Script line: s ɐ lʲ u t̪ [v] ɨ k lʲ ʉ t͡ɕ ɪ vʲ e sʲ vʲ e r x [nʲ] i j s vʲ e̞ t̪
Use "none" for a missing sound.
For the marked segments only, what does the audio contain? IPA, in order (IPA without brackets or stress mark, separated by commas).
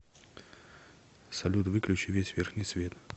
v, nʲ